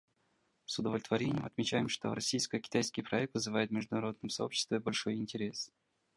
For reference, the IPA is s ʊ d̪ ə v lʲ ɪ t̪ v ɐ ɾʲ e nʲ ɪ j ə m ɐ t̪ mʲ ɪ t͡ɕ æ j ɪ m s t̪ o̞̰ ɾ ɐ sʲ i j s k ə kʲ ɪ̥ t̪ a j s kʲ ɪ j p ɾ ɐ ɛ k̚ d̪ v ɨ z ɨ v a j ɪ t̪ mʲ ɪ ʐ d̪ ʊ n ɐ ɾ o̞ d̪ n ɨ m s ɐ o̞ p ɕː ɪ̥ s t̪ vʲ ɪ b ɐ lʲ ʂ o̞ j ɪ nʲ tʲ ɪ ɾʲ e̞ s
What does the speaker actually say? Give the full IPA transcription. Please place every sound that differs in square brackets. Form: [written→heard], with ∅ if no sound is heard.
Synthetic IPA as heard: s ʊ d̪ ə v lʲ ɪ t̪ v ɐ ɾʲ e nʲ ɪ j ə m ɐ t̪ mʲ ɪ t͡ɕ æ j ɪ m [s→ʂ] t̪ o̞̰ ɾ ɐ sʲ i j s k ə kʲ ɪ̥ t̪ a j s kʲ ɪ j p ɾ ɐ ɛ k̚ [d̪→t̪] v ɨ z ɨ v a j ɪ t̪ mʲ ɪ ʐ d̪ ʊ n ɐ ɾ o̞ d̪ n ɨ m s ɐ o̞ p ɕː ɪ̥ s t̪ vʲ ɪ b ɐ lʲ ʂ o̞ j ɪ nʲ tʲ ɪ ɾʲ e̞ s